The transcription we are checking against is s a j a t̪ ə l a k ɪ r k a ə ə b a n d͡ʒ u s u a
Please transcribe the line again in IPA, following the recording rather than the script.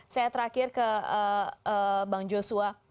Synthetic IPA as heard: s a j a t̪ ə ɾ a k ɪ r k ə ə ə b a ŋ d͡ʒ o s u a